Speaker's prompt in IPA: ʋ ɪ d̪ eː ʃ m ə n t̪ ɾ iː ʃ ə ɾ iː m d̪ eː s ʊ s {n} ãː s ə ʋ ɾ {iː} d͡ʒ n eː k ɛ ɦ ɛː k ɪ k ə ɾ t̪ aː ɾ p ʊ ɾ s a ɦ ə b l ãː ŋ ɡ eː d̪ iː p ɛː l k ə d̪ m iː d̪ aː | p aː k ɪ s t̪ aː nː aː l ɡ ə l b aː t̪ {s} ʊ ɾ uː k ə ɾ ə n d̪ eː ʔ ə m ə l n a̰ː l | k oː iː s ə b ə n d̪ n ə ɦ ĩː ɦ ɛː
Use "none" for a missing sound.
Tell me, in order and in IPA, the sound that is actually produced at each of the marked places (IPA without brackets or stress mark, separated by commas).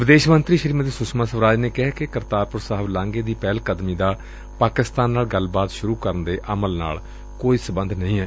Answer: m, aː, ʃ